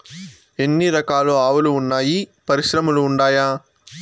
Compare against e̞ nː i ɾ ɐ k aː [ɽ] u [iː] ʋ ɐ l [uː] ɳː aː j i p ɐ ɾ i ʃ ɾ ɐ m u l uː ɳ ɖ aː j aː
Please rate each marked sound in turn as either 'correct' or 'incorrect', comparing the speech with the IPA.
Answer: incorrect, incorrect, correct

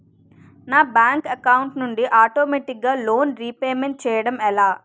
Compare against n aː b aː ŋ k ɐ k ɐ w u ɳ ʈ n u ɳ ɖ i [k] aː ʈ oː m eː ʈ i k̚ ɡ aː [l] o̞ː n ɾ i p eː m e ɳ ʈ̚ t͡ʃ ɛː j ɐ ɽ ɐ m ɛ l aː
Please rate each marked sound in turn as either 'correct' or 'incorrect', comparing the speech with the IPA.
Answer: incorrect, correct

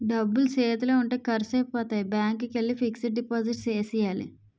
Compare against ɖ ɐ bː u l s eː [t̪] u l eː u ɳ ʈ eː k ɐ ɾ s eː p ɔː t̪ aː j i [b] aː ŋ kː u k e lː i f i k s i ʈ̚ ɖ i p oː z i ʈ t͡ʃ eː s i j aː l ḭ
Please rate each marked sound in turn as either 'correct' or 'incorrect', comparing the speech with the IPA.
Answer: correct, correct

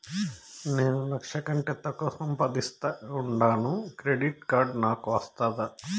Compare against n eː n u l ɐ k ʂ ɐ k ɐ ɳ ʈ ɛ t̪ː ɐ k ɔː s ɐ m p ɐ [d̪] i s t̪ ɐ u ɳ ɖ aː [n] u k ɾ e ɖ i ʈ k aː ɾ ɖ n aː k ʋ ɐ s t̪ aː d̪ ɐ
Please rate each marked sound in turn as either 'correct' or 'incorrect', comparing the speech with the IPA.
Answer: correct, correct

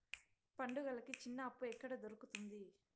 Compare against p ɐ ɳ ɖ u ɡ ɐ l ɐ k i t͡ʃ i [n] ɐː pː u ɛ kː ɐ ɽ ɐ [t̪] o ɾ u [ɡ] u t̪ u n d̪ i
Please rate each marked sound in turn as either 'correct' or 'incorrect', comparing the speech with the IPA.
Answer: incorrect, incorrect, incorrect

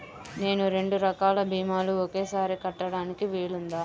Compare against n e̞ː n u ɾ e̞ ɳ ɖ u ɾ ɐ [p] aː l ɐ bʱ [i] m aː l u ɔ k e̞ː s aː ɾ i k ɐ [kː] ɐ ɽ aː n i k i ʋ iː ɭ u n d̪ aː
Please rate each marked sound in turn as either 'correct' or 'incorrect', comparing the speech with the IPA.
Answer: incorrect, incorrect, incorrect

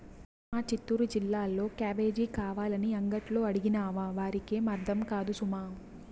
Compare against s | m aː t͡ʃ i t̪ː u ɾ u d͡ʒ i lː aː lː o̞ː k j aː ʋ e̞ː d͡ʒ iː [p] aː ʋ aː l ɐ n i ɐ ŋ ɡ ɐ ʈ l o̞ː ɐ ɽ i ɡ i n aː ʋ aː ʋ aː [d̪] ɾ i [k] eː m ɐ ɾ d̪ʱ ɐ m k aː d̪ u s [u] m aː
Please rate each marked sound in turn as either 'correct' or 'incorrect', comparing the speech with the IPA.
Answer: incorrect, incorrect, correct, correct

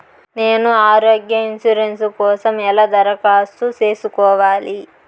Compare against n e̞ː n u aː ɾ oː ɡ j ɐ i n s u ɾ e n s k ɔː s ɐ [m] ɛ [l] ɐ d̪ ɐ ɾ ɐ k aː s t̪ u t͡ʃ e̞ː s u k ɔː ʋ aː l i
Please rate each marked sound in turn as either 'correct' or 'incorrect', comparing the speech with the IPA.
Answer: correct, correct

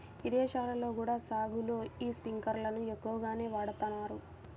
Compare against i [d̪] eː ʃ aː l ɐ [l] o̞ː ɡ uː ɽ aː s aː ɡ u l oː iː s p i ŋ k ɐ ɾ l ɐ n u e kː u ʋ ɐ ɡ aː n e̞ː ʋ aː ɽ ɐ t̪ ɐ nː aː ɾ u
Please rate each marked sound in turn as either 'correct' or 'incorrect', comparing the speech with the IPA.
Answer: correct, correct

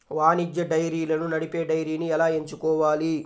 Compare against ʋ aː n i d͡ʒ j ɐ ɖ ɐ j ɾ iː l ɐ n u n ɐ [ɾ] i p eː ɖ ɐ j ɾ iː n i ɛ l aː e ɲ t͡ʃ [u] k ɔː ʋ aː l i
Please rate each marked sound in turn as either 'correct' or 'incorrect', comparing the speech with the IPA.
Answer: incorrect, correct

